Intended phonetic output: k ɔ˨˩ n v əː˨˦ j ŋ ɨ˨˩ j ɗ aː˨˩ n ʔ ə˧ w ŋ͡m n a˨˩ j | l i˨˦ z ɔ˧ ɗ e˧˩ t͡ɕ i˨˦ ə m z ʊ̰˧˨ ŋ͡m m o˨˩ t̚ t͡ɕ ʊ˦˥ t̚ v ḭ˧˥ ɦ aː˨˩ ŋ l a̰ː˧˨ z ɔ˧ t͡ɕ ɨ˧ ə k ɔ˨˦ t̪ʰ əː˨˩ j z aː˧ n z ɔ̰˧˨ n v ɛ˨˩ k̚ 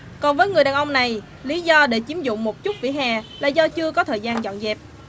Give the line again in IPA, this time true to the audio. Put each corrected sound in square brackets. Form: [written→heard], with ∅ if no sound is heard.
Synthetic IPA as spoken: k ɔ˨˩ n v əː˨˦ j ŋ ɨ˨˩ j ɗ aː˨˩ n ʔ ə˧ w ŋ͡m n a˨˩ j | l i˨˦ z ɔ˧ ɗ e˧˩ t͡ɕ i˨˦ ə m z ʊ̰˧˨ ŋ͡m m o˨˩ t̚ t͡ɕ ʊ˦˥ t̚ v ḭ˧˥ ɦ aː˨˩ [ŋ→∅] l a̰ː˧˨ z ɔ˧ t͡ɕ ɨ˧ ə k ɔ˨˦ t̪ʰ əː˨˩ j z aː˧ n z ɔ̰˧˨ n [v→z] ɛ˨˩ [k̚→p̚]